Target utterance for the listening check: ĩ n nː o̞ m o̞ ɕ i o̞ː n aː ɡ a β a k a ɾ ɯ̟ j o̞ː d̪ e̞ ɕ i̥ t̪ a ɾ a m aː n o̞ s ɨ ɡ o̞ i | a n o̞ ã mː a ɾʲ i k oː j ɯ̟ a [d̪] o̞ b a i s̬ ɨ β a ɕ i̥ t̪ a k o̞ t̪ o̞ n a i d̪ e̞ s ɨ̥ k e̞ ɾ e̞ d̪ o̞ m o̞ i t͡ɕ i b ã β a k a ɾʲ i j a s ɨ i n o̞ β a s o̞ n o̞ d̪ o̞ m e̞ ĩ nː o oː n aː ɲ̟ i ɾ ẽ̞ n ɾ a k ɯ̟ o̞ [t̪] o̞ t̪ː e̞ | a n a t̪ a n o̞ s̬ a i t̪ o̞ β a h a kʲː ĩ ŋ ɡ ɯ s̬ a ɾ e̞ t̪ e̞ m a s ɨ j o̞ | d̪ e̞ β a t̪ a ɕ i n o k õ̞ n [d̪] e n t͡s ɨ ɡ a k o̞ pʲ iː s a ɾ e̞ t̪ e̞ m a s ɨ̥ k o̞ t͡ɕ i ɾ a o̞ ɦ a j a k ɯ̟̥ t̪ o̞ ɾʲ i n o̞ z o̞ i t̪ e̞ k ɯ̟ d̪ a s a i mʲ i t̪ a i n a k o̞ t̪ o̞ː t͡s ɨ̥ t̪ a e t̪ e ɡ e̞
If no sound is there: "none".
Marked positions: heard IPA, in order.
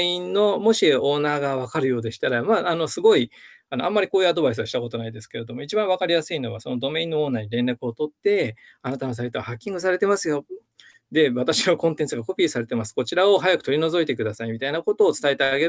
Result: d̪, t̪, t̪

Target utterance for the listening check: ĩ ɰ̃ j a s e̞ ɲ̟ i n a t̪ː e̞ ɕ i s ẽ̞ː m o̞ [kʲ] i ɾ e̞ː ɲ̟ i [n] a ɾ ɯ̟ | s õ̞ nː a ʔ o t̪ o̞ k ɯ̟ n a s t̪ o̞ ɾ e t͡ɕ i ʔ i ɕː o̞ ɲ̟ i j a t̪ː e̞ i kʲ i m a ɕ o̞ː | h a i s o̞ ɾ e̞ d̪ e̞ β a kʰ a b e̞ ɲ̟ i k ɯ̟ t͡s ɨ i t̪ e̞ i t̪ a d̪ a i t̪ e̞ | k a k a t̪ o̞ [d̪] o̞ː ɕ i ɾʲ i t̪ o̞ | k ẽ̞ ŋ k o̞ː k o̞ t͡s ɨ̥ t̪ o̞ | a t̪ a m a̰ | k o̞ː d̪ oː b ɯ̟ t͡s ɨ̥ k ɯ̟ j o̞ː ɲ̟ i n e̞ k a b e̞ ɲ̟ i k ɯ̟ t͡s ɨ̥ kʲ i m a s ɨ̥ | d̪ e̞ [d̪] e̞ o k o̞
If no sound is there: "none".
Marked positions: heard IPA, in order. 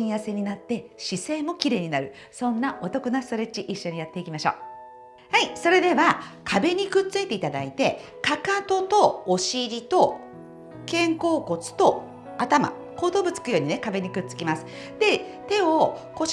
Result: kʲ, n, t̪, t̪

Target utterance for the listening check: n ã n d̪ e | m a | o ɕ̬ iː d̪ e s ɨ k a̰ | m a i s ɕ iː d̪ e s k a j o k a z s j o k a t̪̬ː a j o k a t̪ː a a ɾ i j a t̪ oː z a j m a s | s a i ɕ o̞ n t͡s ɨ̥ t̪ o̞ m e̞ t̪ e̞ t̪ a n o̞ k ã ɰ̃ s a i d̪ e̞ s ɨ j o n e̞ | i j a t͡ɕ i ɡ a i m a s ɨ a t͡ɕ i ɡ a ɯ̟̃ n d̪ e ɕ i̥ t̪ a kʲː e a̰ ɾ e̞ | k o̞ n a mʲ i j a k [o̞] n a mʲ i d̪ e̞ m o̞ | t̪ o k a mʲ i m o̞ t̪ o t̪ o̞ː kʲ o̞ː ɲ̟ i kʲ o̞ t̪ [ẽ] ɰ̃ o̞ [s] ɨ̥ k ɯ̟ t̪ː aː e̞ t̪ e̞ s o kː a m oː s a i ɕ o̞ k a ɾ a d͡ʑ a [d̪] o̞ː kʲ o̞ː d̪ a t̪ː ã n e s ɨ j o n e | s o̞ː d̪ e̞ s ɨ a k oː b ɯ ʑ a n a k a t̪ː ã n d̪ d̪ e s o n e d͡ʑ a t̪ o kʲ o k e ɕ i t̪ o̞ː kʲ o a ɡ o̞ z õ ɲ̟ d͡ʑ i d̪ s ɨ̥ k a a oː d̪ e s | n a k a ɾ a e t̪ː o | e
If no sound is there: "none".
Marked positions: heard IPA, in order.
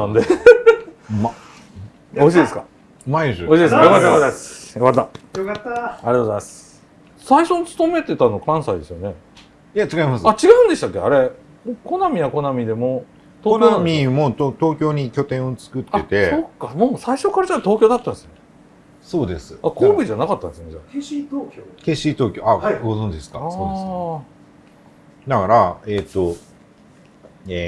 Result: o̞, ẽ, t͡s, t̪

